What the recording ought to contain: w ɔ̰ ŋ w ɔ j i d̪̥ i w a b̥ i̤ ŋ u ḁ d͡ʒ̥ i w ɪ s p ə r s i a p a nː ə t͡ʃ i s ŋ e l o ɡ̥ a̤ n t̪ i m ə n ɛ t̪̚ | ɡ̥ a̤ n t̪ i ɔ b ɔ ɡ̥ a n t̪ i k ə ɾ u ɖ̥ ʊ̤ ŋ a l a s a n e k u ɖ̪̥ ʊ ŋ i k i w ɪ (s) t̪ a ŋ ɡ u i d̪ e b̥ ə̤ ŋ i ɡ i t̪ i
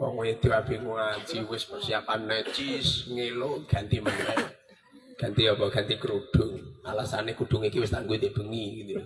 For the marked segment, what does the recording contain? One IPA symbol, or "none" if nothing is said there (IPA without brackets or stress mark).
s